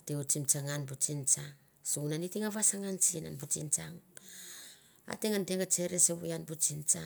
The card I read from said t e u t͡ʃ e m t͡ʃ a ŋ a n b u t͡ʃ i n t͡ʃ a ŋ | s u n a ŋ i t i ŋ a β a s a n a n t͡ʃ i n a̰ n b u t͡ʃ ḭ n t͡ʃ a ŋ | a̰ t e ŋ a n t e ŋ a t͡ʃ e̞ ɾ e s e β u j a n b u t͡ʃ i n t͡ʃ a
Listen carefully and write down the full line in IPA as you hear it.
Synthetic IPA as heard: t e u t͡ʃ i m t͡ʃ a ŋ a n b u t͡ʃ i n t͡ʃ a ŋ | s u n a n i t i ŋ a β a s a ŋ a n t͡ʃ i n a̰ n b u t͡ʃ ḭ n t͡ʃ a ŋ | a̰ t e ŋ a n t e ŋ a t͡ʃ e̞ ɾ e s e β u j a n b u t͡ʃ i n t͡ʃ a